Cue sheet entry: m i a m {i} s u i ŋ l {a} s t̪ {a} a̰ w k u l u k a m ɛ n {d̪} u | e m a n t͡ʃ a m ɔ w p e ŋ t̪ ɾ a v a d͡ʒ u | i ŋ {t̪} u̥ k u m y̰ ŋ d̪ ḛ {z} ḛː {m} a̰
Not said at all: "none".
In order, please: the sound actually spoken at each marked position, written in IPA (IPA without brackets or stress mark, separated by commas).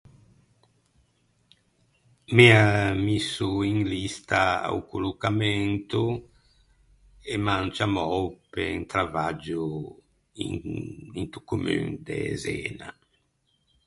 i, i, a, t̪, t̪, z, n